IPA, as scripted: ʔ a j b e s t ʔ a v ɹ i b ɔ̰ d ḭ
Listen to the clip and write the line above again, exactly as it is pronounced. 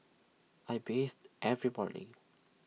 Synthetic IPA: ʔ a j b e s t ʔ ɛ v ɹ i b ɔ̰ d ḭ